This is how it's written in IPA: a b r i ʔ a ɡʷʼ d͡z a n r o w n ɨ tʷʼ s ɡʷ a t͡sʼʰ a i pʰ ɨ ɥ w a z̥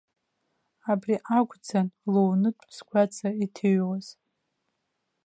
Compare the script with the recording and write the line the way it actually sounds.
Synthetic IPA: a b r i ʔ a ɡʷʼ d͡z a n l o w n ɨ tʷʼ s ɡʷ a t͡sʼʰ a i tʰ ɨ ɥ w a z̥